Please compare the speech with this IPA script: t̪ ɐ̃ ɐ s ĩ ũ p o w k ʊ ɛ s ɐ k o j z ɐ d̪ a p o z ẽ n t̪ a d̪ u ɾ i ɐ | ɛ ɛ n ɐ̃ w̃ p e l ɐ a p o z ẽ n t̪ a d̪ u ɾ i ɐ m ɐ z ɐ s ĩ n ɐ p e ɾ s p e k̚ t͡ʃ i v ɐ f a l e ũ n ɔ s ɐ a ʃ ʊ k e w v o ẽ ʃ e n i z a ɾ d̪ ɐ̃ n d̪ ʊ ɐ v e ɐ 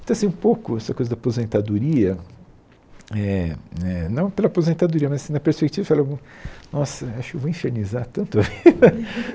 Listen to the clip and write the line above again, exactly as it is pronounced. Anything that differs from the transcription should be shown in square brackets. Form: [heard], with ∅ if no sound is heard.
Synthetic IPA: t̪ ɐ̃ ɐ s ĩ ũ p o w k ʊ ɛ s ɐ k o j z ɐ d̪ a p o z ẽ n t̪ a d̪ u ɾ i ɐ | ɛ ɛ n ɐ̃ w̃ p e l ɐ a p o z ẽ n t̪ a d̪ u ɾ i ɐ m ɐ z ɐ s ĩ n ɐ p e ɾ s p e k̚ t͡ʃ i v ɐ f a l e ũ n ɔ s ɐ a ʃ ʊ k e w v o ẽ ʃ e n i z a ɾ [t̪] ɐ̃ n [t̪] ʊ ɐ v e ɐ